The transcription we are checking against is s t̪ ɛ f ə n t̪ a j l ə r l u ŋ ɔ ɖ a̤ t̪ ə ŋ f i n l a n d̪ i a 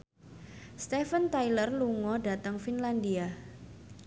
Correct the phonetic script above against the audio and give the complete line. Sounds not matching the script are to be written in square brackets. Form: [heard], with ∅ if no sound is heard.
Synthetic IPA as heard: s t̪ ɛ f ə n t̪ a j l ə r l u ŋ ɔ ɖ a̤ t̪ ə ŋ f i n l a n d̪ i a